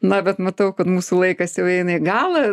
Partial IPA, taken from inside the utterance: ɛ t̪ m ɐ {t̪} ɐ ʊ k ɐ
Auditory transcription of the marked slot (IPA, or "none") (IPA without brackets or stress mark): t̪